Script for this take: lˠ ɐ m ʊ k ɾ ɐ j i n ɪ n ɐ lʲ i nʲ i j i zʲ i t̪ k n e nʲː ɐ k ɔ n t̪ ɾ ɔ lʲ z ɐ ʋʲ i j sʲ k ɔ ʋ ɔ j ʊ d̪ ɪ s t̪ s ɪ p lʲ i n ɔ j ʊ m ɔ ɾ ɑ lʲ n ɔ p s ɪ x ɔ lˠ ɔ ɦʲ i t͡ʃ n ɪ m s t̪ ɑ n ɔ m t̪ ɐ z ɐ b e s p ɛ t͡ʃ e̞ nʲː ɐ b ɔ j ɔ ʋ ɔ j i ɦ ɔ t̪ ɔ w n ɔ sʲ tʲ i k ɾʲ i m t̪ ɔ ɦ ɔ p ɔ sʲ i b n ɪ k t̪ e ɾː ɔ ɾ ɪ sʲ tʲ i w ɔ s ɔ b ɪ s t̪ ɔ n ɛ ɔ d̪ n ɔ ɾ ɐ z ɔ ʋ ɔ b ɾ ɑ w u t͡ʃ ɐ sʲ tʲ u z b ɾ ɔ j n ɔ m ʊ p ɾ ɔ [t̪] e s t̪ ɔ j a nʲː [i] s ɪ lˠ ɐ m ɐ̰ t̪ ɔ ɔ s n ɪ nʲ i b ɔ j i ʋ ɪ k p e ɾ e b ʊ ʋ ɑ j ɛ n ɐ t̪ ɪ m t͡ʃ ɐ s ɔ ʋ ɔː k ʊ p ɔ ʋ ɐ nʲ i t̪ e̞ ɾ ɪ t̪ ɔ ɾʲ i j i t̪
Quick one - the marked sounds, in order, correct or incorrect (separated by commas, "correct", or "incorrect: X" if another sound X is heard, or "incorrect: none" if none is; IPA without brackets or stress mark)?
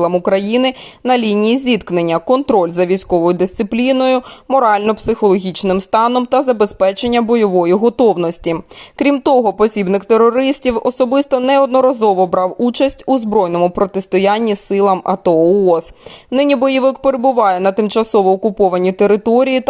correct, correct